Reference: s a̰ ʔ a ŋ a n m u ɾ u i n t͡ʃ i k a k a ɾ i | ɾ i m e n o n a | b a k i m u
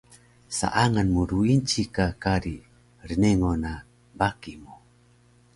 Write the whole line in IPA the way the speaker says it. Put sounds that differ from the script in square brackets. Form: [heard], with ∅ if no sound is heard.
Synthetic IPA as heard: s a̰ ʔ a ŋ a n m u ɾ u i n t͡ʃ i k a k a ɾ i | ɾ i [n] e [ŋ] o n a | b a k i m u